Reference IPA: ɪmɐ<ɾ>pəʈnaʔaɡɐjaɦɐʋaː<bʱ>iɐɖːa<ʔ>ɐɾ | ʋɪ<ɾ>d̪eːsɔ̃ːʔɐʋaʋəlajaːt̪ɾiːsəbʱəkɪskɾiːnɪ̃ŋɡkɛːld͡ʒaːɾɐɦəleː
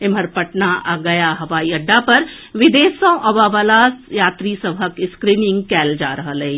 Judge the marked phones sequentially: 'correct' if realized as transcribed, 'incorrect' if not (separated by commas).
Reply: correct, incorrect, incorrect, incorrect